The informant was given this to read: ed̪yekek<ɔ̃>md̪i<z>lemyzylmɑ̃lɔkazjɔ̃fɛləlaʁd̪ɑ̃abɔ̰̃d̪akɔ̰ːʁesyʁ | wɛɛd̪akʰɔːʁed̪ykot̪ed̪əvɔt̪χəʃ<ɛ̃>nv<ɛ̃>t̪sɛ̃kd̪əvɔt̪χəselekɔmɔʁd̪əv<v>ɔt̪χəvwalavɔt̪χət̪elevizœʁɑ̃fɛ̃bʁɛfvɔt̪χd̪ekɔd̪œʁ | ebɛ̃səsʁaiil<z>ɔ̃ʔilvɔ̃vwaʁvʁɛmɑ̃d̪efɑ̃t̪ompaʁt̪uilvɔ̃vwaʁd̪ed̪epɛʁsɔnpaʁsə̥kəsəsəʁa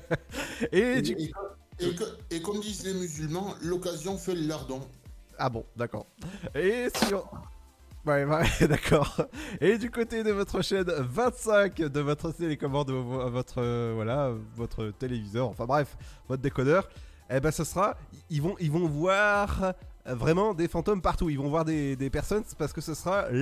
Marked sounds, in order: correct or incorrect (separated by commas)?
incorrect, correct, incorrect, correct, correct, incorrect